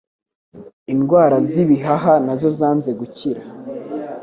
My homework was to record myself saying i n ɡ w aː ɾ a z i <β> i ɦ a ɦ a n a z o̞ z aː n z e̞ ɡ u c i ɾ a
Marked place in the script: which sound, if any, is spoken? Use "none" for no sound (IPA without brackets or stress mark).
β